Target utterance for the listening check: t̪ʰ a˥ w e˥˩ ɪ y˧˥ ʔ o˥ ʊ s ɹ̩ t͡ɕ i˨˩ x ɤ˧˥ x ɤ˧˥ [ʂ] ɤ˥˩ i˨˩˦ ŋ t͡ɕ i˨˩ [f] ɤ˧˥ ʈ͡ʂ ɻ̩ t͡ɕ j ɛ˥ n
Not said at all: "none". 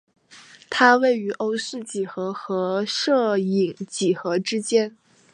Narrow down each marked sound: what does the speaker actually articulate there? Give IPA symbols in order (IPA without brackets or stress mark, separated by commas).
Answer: ʂ, x